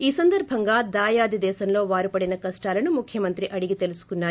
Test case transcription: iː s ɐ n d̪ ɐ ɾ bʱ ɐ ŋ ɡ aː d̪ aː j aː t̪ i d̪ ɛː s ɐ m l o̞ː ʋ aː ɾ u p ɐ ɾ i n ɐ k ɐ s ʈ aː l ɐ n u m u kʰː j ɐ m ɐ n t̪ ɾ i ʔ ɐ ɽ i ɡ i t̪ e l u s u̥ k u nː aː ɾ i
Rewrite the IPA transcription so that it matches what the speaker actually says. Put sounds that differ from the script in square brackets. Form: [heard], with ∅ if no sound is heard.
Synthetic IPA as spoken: iː s ɐ n d̪ ɐ ɾ bʱ ɐ ŋ ɡ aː d̪ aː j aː [d̪] i d̪ ɛː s ɐ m l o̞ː ʋ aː ɾ u p ɐ [ɽ] i n ɐ k ɐ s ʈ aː l ɐ n u m u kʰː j ɐ m ɐ n t̪ ɾ i ʔ ɐ ɽ i ɡ i t̪ e l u s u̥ k u nː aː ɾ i